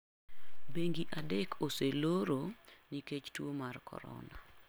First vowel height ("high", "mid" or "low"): mid